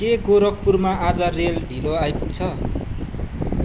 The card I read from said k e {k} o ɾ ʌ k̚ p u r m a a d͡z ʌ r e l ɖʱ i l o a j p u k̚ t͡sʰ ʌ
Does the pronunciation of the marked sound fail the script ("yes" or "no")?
yes